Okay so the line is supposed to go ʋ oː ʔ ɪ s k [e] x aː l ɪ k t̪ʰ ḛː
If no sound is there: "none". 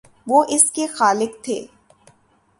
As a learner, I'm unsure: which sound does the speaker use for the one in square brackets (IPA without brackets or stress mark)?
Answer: e